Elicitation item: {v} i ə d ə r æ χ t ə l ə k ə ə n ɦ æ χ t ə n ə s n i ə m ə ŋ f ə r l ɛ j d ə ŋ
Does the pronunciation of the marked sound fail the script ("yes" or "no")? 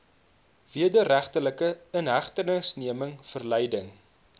no